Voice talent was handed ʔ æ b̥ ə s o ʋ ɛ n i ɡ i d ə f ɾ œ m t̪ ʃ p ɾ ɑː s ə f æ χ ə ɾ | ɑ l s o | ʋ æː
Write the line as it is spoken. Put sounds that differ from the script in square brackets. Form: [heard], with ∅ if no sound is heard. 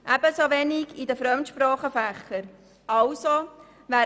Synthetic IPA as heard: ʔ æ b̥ ə s o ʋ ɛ n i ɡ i d ə f ɾ œ m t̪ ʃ p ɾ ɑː [χ] ə f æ χ ə ɾ | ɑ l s o | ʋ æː